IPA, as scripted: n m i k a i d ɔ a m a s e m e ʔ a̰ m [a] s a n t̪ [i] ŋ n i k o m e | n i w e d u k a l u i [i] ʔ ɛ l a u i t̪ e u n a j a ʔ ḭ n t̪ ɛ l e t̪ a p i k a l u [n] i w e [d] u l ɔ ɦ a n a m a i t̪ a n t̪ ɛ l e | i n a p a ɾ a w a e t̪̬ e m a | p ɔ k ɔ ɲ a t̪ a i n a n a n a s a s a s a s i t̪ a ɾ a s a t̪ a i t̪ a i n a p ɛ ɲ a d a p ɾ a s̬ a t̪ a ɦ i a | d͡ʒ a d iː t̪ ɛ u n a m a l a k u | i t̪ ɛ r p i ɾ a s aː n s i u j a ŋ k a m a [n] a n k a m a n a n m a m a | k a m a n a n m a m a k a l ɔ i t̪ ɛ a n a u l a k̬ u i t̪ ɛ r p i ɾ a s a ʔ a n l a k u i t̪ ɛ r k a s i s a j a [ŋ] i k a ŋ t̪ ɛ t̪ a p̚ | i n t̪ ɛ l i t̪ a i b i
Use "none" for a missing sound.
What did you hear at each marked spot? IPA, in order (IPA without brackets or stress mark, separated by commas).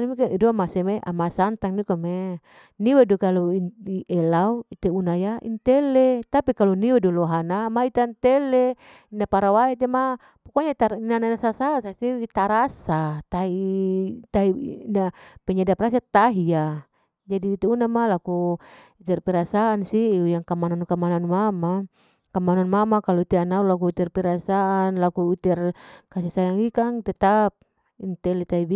a, a, i, n, d, n, ŋ